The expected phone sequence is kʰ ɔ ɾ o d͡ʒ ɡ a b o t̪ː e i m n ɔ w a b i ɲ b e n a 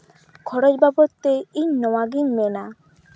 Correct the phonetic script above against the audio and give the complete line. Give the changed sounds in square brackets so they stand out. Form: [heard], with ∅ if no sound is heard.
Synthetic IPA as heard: kʰ ɔ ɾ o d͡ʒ [b] a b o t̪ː e i [ɲ] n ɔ w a [ɡ] i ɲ [m] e n a